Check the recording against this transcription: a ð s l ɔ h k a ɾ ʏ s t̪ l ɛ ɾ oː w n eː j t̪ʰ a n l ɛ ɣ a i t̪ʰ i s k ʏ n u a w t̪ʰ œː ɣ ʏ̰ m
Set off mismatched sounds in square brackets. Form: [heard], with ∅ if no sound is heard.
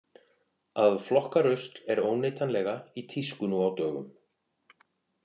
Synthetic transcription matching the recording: a ð [f] l ɔ h k a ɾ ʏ s t̪ l ɛ ɾ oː w n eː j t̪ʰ a n l ɛ ɣ a i t̪ʰ i s k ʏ n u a w [t̪] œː ɣ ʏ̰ m